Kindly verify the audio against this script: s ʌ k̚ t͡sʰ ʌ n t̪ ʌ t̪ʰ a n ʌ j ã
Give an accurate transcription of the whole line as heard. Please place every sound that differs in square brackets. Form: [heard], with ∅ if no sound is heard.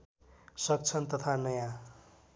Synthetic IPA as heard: s ʌ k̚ t͡sʰ ʌ n t̪ ʌ t̪ʰ a n ʌ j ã